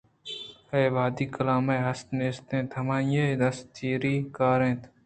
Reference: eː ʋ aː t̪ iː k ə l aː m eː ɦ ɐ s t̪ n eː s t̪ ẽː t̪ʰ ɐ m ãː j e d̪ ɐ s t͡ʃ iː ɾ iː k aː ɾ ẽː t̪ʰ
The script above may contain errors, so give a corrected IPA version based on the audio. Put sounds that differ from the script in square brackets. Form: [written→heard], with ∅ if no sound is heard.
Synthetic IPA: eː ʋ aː [t̪→d̪] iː k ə l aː m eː ɦ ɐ s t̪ n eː s t̪ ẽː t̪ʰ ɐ m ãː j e d̪ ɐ s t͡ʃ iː ɾ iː k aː ɾ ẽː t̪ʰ